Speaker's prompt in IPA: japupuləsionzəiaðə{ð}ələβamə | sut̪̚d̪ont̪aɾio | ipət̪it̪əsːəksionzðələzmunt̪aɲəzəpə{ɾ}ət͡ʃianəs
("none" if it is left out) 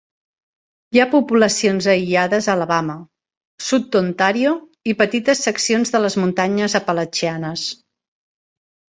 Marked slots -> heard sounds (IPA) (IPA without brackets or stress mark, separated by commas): z, l